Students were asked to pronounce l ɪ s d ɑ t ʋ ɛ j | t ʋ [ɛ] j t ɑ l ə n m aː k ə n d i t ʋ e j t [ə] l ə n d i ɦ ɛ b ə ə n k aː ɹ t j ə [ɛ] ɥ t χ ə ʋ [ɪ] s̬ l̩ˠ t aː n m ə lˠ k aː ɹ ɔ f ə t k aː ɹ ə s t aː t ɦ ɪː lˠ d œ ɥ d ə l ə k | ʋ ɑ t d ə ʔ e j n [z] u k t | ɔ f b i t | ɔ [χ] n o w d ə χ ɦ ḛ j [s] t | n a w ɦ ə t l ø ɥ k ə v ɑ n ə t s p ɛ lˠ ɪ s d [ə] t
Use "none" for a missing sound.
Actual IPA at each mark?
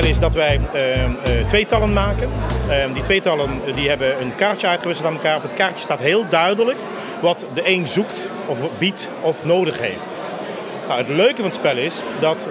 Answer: e, ɑ, œ, ɪ, z, f, f, ɑ

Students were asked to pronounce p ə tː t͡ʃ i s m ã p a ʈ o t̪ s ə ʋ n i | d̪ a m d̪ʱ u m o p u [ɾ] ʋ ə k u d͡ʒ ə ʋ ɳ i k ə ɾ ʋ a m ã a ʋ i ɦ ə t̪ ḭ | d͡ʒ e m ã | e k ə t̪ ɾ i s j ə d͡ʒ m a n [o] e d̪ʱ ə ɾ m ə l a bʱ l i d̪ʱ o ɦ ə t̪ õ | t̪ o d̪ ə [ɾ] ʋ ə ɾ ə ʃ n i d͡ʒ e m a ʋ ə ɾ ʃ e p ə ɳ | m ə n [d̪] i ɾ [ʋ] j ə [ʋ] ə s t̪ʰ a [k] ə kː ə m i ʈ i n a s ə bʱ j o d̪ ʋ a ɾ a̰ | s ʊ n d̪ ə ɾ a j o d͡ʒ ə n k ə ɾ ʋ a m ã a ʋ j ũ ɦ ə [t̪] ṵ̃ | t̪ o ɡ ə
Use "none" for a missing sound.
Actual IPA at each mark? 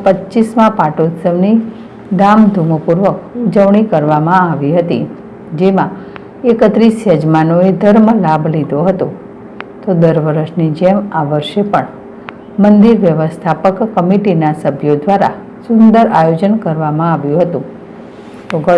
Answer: ɾ, o, ɾ, d̪, ʋ, ʋ, p, t̪

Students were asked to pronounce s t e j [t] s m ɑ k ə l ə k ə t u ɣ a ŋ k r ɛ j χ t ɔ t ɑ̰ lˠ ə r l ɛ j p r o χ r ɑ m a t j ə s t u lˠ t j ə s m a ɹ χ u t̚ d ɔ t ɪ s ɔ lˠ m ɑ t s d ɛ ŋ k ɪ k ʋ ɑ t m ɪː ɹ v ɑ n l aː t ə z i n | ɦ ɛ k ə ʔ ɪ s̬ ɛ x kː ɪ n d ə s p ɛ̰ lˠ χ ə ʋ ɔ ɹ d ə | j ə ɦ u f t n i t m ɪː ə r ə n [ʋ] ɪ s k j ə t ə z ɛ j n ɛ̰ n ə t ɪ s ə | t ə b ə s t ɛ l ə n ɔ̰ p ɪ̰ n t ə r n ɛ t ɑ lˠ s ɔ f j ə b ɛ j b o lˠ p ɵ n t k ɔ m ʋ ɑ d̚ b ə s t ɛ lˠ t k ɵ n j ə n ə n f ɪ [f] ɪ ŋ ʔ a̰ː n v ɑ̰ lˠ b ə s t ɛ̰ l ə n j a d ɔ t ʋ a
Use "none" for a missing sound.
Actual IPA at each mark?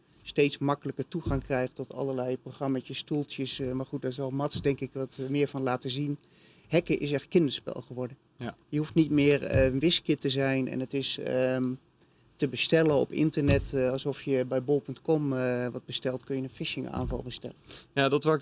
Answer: t, ʋ, ʃ

